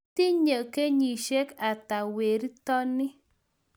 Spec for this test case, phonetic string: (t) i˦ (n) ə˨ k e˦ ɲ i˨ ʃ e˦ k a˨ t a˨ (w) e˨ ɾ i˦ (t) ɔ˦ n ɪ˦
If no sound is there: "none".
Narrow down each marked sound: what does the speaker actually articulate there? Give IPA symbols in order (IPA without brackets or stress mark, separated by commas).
t, ɲ, w, t